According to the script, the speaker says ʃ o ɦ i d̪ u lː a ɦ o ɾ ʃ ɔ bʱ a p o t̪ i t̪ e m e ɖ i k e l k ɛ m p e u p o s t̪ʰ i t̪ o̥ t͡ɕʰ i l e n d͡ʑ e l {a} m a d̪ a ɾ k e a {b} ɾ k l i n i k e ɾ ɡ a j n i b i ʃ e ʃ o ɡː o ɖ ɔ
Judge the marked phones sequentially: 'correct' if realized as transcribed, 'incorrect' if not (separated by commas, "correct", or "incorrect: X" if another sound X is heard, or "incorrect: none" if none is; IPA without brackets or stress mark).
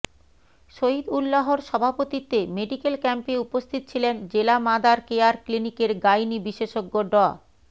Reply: correct, incorrect: none